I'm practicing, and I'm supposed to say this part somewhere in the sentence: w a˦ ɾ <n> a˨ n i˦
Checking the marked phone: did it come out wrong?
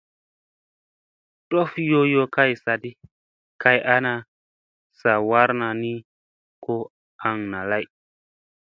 no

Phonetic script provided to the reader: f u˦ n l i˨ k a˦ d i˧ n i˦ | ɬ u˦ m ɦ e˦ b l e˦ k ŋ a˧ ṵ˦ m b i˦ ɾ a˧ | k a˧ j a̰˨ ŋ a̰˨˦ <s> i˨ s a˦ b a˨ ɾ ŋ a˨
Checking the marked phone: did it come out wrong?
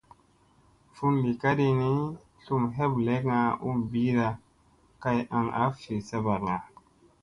yes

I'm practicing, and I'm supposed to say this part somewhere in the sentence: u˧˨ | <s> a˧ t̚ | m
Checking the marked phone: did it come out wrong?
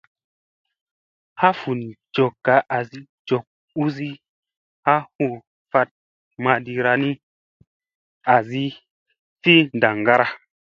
yes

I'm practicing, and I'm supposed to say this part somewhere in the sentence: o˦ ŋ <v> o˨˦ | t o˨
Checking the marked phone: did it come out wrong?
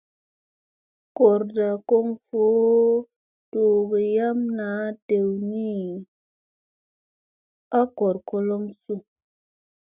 yes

